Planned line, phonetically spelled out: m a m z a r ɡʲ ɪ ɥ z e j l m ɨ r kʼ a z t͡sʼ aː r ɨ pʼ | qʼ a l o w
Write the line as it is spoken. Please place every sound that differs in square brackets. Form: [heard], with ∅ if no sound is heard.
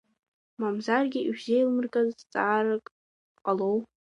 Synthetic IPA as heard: m a m z a r ɡʲ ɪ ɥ z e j l m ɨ r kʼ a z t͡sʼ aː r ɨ [kʼ] | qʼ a l o w